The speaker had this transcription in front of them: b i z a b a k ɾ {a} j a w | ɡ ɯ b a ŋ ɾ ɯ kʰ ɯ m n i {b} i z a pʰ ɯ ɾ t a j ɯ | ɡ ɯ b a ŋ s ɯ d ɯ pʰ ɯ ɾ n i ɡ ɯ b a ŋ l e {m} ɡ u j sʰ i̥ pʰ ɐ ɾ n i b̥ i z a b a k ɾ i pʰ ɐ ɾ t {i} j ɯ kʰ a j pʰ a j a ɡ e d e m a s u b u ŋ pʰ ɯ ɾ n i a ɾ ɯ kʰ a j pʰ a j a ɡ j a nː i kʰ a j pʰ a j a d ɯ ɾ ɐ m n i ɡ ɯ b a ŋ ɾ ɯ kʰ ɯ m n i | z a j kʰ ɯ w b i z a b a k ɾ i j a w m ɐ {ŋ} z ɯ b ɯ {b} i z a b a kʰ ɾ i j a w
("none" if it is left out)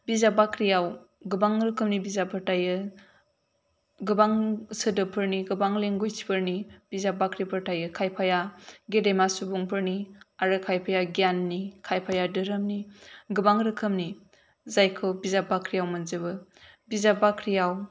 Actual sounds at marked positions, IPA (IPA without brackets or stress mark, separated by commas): i, b, ŋ, a, n, b